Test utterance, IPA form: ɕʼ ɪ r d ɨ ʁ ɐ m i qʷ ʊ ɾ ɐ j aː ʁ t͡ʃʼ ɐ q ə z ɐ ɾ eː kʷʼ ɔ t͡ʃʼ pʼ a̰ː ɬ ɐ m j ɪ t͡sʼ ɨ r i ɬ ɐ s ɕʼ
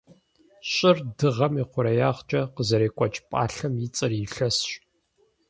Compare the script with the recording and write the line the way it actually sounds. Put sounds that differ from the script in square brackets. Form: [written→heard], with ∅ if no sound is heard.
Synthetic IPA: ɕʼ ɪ r d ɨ ʁ ɐ m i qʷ ʊ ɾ ɐ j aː ʁ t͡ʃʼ ɐ q ə z ɐ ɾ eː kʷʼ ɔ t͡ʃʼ pʼ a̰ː ɬ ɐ m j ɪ t͡sʼ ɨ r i ɬ ɐ s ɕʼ

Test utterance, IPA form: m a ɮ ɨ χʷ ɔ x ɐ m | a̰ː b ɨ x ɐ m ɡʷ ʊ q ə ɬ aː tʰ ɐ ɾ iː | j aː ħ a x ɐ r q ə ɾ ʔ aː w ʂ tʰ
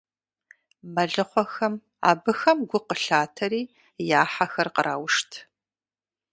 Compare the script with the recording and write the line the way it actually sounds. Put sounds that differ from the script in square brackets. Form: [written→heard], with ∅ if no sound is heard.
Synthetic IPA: m [a→ɐ] ɮ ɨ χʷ ɔ x ɐ m | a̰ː b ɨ x ɐ m ɡʷ ʊ q ə ɬ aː tʰ ɐ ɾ iː | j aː ħ a x ɐ r q ə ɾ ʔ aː w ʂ tʰ

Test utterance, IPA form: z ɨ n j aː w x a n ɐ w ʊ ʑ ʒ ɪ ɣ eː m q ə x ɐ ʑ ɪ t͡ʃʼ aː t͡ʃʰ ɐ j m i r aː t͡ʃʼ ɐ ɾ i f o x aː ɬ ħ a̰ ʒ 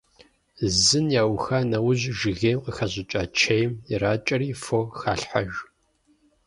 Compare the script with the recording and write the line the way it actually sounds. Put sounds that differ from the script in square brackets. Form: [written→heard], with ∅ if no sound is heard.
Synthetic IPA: z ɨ n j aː w x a n ɐ w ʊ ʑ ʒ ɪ ɣ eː m q ə x ɐ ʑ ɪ t͡ʃʼ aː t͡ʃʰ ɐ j m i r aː t͡ʃʼ ɐ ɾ [i→iː] f o x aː ɬ ħ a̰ ʒ

